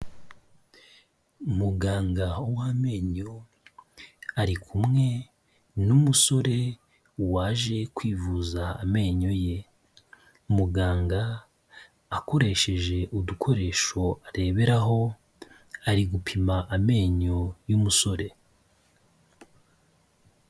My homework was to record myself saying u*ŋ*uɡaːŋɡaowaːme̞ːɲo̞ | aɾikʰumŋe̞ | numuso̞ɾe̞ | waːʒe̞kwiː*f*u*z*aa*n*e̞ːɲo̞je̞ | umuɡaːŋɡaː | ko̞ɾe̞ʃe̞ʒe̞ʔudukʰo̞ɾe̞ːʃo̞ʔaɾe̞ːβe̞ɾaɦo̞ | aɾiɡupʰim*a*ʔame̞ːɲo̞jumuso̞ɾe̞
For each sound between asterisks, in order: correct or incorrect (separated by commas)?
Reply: incorrect, incorrect, correct, incorrect, correct